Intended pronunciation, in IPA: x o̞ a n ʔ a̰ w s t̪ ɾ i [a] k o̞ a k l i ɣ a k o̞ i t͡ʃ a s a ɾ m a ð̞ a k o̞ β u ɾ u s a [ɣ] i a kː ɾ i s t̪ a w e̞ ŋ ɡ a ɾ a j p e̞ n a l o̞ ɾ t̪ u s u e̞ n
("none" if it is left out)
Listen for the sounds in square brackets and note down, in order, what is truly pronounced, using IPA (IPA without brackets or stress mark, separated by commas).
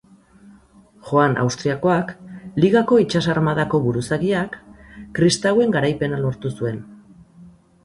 a, ɣ